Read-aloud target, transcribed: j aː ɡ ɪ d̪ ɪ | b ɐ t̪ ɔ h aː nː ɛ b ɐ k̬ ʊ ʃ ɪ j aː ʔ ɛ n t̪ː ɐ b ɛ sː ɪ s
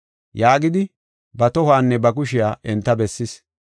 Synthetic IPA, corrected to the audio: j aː ɡ ɪ d̪ ɪ | b ɐ t̪ ɔ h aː nː ɛ b ɐ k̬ ʊ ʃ ɪ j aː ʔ ɛ n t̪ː ɐ b ɛ sː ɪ s